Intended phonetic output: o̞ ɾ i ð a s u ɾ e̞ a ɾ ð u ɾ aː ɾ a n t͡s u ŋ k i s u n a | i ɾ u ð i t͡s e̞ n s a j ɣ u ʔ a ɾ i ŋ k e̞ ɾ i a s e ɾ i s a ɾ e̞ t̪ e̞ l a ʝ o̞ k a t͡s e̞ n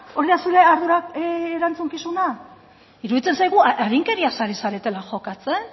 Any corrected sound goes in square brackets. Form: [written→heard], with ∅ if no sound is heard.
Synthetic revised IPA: o̞ ɾ i ð a s u ɾ e̞ a ɾ ð u ɾ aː ɾ a n t͡s u ŋ k i s u n a | i ɾ u ð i t͡s e̞ n s a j ɣ u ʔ a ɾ i ŋ k e̞ ɾ i a s [e→a] ɾ i s a ɾ e̞ t̪ e̞ l a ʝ o̞ k a t͡s e̞ n